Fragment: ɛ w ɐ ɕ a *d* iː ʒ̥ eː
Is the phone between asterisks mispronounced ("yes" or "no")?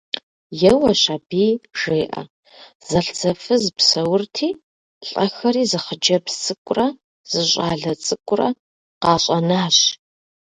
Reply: yes